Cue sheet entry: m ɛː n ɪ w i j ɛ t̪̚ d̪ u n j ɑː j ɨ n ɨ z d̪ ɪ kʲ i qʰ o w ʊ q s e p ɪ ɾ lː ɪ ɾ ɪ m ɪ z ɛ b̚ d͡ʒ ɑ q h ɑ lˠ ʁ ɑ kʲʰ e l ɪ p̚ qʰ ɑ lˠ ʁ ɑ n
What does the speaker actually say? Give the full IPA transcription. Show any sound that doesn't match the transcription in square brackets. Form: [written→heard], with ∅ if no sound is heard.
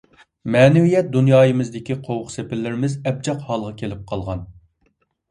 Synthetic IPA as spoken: m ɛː n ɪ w i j ɛ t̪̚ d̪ u n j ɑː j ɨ [n→m] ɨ z d̪ ɪ kʲ i qʰ o w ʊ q s e p ɪ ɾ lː ɪ ɾ ɪ m ɪ z ɛ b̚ d͡ʒ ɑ q h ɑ lˠ ʁ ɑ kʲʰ e l ɪ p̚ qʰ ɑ lˠ ʁ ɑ n